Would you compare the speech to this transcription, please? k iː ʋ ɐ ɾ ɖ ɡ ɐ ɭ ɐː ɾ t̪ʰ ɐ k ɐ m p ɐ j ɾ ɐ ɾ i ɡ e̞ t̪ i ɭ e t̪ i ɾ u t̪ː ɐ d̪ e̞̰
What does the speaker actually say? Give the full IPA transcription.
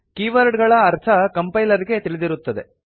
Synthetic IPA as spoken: k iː ʋ ɐ ɾ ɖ ɡ ɐ ɭ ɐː ɾ t̪ʰ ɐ k ɐ m p ɐ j l ɐ ɾ i ɡ e̞ t̪ i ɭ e d̪ i ɾ u t̪ː ɐ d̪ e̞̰